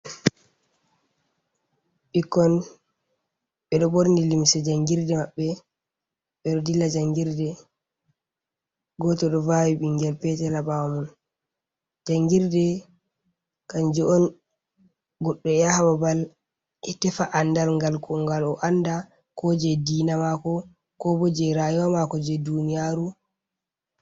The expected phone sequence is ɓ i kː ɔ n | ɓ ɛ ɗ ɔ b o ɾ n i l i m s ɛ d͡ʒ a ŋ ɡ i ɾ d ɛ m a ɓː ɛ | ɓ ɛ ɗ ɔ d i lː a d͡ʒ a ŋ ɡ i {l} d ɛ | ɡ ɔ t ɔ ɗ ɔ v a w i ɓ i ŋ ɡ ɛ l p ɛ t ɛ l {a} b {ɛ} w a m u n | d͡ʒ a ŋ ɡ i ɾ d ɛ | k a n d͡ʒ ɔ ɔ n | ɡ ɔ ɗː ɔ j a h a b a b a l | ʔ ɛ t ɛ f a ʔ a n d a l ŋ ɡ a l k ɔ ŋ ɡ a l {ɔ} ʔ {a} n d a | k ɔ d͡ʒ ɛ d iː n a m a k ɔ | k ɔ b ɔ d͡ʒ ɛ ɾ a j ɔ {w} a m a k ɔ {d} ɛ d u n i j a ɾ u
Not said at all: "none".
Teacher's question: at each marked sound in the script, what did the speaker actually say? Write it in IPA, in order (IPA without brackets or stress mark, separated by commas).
ɾ, a, a, ɔ, a, w, d͡ʒ